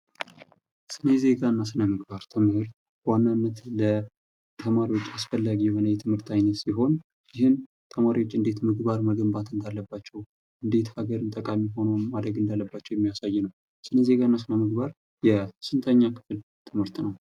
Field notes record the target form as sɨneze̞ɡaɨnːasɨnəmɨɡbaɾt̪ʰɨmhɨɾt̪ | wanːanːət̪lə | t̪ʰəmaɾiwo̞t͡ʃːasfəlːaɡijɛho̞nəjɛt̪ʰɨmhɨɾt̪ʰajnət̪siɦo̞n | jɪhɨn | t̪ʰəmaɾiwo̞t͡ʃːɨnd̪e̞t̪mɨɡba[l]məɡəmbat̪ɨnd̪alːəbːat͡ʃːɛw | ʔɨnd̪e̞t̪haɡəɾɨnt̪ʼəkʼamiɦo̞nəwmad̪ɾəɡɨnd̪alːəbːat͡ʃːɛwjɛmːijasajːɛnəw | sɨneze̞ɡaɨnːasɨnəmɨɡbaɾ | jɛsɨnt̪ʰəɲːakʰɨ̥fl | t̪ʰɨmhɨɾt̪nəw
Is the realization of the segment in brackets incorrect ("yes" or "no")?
yes